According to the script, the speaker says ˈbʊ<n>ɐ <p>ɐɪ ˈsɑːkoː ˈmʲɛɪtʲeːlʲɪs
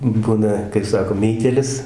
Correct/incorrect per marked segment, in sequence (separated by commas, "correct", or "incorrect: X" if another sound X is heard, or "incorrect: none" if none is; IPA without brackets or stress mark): correct, incorrect: k